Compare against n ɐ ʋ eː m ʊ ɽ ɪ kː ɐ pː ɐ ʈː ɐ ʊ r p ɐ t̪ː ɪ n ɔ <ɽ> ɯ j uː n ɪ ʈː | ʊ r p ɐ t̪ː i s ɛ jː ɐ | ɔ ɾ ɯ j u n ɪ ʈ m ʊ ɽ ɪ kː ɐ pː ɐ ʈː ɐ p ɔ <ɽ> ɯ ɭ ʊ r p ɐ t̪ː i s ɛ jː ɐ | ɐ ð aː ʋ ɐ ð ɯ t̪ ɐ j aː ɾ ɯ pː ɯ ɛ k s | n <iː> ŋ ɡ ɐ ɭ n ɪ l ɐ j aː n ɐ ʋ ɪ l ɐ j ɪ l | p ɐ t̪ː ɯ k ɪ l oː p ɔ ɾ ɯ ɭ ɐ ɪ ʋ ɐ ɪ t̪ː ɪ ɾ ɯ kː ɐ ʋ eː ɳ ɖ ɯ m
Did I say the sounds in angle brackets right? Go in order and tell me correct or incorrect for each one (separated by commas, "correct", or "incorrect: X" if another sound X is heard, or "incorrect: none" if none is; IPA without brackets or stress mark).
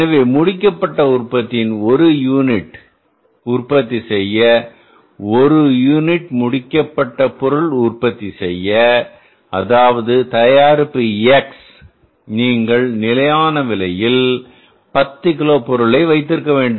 incorrect: ɾ, incorrect: ɾ, correct